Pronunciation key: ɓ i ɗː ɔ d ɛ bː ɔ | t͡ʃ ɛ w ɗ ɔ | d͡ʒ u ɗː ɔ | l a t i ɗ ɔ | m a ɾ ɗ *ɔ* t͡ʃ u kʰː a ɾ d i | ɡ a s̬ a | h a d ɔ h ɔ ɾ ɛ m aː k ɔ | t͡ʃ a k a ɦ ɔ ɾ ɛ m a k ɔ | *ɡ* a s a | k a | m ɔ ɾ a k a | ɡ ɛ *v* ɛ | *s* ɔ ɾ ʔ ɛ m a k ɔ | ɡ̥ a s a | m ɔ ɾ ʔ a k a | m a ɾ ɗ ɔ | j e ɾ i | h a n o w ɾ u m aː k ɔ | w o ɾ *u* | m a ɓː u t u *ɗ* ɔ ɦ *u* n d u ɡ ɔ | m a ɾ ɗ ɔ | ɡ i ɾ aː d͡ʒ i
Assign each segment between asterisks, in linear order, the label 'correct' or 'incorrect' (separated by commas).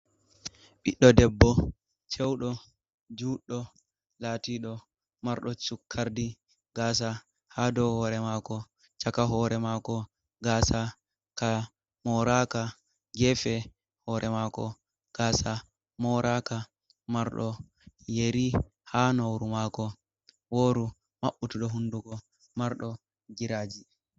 correct, correct, incorrect, incorrect, correct, correct, correct